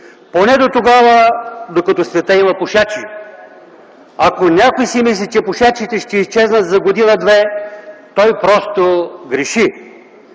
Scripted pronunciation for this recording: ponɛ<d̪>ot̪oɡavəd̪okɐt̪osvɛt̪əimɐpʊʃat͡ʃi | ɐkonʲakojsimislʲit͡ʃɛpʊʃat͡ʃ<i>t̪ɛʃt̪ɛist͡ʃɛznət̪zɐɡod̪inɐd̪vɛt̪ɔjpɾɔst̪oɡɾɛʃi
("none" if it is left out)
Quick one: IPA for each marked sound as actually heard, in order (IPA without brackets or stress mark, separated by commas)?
d̪, i